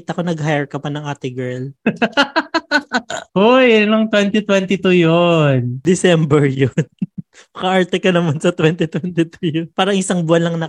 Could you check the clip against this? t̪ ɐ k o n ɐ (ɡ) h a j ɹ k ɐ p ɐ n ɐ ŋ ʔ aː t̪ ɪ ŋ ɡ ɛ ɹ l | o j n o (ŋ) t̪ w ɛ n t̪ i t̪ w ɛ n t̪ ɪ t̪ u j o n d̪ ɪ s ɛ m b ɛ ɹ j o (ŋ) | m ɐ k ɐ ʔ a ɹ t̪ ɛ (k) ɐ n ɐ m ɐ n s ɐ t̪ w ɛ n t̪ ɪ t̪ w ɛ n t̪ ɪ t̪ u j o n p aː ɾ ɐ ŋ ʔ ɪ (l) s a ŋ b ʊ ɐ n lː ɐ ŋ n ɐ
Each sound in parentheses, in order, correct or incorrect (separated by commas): correct, correct, incorrect, correct, incorrect